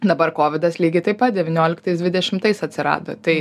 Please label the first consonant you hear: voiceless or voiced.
voiced